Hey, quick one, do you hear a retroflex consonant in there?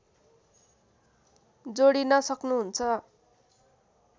yes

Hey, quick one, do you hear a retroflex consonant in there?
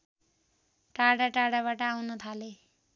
yes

